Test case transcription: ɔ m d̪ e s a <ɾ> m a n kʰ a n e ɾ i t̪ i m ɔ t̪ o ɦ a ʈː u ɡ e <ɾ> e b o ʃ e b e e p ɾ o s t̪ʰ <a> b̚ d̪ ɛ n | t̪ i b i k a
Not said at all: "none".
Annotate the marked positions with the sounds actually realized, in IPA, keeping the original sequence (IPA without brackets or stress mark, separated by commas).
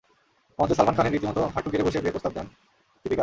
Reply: l, ɾ, a